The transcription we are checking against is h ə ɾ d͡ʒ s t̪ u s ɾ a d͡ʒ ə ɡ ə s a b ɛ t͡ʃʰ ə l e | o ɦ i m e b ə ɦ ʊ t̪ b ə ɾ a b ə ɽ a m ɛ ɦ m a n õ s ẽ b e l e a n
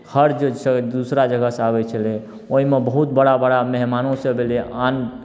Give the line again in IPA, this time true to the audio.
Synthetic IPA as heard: h ə ɾ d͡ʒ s d̪ u s ɾ a d͡ʒ ə ɡ ə s a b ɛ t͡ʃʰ ə l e | o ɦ i m e b ə ɦ u t̪ b ə ɽ a b ə ɽ a m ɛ ɦ m a n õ s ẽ b e l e a n

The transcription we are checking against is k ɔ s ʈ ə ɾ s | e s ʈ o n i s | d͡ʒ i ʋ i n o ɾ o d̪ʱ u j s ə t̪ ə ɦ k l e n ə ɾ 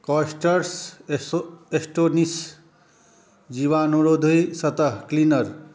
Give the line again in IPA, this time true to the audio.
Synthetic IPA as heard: k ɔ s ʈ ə ɾ s | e s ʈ o n i s | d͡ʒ i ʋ a n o ɾ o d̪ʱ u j s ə t̪ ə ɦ k l i n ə ɾ

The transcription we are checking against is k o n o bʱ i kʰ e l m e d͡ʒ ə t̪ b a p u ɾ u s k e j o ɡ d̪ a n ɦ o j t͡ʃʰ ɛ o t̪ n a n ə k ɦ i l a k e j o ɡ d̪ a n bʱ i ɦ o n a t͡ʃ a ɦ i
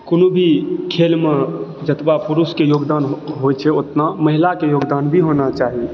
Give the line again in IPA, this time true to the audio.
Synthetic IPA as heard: k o n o bʱ i kʰ e l m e d͡ʒ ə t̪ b a p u ɾ u s k e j o ɡ d̪ a n ɦ o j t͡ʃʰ ɛ o t̪ n a m ə ɦ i l a k e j o ɡ d̪ a n bʱ i ɦ o n a t͡ʃ a ɦ i

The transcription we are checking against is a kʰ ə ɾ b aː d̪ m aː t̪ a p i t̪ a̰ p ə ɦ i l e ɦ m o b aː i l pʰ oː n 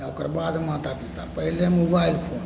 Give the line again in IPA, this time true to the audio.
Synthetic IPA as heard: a k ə ɾ b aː d̪ m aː t̪ a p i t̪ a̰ p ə ɦ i l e m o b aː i l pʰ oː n

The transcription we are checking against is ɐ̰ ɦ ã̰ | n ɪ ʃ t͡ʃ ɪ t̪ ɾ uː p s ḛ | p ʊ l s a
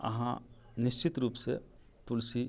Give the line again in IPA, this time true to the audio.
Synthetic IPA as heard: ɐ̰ ɦ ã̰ | n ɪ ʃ t͡ʃ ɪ t̪ ɾ uː p s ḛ | p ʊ l s i

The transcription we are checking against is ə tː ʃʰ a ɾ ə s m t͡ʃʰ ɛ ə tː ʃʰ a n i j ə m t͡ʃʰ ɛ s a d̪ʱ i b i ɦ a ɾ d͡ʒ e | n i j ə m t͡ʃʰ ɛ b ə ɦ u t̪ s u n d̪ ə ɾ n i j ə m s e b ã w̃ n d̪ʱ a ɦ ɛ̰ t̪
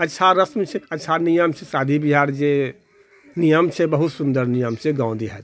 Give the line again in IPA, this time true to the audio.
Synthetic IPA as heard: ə tː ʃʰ a ɾ ə s m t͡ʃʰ ɛ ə tː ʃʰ a n i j ə m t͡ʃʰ ɛ s a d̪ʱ i b i ɦ a ɾ d͡ʒ e | n i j ə m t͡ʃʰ ɛ b ə ɦ u t̪ s u n d̪ ə ɾ n i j ə m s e ɡ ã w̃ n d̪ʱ i ɦ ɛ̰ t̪

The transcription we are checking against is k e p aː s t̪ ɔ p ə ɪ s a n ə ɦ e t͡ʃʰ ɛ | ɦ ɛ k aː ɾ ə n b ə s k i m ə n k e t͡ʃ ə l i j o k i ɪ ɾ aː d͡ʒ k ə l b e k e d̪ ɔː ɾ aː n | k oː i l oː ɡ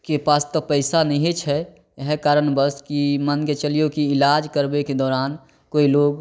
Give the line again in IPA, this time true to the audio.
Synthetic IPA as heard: k e p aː s t̪ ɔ p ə ɪ s a n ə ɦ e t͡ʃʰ ɛ | ɦ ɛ k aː ɾ ə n b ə s k i m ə n k e t͡ʃ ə l i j o k i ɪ l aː d͡ʒ k ə ɾ b e k e d̪ ɔː ɾ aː n | k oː i l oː ɡ

